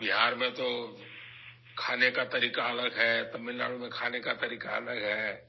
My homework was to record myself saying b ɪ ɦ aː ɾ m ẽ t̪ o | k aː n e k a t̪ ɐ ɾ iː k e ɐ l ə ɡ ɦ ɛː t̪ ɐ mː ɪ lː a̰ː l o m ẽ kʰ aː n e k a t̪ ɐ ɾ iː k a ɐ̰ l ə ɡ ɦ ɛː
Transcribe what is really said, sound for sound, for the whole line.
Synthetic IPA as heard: b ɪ ɦ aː ɾ m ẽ t̪ o | kʰ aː n e k a t̪ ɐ ɾ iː k a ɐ l ə ɡ ɦ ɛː t̪ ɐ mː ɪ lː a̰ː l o m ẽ kʰ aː n e k a t̪ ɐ ɾ iː k a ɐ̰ l ə ɡ ɦ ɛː